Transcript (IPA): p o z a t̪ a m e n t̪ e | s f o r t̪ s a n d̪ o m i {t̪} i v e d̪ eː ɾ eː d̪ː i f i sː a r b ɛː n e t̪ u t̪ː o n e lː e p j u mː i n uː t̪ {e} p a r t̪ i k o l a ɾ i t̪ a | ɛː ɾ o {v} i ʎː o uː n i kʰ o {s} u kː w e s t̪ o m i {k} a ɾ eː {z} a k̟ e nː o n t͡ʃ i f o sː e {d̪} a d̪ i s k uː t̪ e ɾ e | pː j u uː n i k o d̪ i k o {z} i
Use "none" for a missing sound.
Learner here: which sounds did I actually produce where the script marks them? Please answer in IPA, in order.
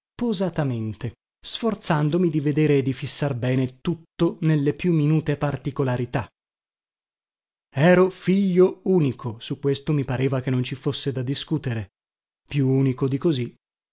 d̪, e, f, s, p, v, d̪, z

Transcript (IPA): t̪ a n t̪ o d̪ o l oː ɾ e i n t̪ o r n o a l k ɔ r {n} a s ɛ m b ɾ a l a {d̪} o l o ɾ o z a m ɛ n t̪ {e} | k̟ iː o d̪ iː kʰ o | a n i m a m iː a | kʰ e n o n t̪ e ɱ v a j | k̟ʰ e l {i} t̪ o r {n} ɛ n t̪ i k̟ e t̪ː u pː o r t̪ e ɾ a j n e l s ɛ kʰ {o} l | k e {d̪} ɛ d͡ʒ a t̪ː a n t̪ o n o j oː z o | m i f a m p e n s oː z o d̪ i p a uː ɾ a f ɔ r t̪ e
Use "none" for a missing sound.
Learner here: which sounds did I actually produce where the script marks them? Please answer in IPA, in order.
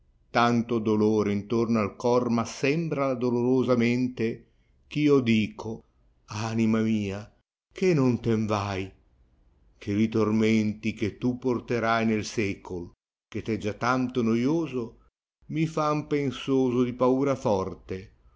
m, d̪, e, i, m, o, t̪

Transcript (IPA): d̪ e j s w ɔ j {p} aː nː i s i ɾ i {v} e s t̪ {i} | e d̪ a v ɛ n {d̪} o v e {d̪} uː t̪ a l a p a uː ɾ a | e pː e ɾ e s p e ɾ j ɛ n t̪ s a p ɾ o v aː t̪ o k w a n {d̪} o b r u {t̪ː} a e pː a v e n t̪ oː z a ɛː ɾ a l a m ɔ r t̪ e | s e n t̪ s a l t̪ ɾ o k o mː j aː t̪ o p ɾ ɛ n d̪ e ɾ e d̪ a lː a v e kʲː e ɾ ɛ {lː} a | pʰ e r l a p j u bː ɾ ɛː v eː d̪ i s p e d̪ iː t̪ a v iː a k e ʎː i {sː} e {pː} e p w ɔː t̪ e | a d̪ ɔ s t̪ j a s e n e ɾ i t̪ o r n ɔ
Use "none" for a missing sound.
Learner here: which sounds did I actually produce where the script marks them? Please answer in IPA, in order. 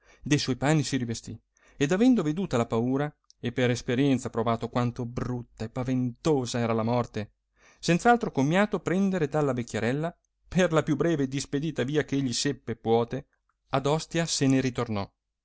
p, v, i, d̪, d̪, t̪, t̪ː, lː, s, pː

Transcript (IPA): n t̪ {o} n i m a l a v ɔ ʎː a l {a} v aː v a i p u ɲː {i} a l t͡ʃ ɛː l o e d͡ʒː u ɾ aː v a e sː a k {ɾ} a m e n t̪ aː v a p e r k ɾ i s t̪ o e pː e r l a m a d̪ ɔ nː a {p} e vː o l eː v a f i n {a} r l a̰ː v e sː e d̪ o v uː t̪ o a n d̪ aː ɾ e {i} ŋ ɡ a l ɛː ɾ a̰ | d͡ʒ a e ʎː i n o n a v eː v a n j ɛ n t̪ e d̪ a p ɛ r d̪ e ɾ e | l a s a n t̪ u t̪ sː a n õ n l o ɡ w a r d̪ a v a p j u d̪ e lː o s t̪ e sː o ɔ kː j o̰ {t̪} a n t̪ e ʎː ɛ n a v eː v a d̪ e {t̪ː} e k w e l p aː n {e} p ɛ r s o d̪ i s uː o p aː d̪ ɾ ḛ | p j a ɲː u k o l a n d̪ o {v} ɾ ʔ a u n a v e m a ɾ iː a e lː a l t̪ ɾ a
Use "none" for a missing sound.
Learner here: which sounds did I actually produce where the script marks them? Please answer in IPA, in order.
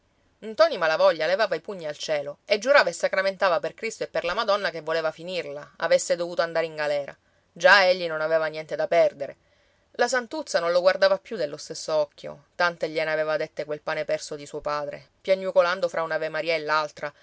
ɔ, e, i, ɾ, k, i, i, t̪, t̪ː, e, f

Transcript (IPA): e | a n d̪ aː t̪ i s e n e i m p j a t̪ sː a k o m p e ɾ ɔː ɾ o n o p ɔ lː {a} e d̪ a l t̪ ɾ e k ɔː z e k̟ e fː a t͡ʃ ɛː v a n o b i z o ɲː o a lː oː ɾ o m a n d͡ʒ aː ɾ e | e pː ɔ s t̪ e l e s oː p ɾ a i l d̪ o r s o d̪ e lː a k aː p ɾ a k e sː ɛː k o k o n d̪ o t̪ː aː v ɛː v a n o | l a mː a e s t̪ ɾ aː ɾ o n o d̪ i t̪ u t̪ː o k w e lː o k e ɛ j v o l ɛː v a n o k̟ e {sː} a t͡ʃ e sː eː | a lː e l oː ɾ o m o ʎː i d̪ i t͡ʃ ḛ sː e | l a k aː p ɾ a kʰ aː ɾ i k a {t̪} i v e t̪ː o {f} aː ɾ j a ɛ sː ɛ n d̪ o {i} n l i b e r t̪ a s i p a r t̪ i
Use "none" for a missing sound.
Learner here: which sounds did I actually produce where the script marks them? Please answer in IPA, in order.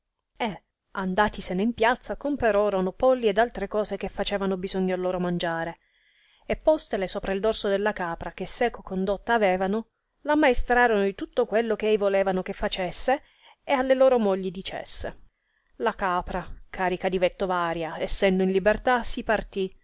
i, fː, d̪, v, i

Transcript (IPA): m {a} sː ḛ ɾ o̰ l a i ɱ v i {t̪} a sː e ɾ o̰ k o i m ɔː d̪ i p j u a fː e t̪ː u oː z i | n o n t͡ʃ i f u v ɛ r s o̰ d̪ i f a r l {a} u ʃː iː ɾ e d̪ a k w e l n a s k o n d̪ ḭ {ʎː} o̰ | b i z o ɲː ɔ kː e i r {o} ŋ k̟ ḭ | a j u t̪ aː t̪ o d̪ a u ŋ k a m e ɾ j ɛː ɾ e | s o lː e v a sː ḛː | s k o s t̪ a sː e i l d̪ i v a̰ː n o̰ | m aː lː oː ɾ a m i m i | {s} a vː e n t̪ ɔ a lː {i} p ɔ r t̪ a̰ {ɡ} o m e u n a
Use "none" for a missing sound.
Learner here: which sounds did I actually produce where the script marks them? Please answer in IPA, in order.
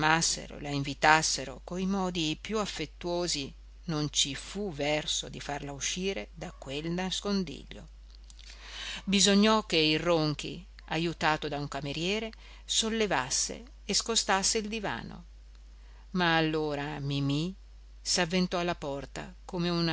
a, t̪, a, ʎː, o, s, a, k

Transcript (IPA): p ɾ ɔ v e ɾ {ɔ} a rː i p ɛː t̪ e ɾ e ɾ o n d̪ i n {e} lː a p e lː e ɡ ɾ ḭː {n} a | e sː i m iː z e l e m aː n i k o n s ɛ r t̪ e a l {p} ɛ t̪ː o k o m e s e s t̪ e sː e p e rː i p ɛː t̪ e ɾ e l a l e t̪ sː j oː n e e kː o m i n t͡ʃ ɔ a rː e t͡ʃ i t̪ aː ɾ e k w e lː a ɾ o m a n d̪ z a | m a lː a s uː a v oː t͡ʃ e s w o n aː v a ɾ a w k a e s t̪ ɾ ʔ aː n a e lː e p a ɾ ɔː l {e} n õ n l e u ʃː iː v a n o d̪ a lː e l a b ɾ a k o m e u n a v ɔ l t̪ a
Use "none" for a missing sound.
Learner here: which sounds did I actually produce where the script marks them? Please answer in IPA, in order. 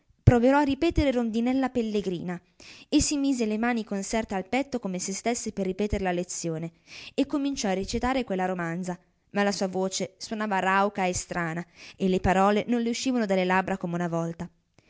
ɔ, ɛ, n, p, e

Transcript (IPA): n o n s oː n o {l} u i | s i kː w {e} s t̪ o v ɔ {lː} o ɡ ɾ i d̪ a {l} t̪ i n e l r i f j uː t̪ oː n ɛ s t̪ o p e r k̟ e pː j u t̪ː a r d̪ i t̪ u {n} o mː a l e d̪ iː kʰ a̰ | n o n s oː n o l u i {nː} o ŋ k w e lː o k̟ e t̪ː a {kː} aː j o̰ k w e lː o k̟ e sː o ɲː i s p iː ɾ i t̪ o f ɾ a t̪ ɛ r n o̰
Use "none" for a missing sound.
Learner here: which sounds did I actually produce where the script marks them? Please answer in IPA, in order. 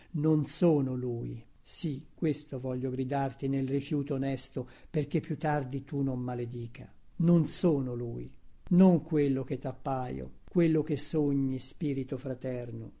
l, e, ʎː, r, n, n, pː

